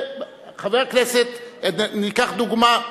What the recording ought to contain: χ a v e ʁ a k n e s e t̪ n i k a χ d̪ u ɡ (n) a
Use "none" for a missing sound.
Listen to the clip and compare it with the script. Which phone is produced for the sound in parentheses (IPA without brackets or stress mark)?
m